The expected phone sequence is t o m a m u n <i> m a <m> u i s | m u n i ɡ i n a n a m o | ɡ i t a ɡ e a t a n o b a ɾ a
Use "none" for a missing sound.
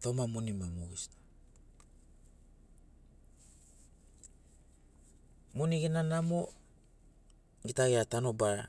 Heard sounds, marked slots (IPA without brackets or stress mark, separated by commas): i, m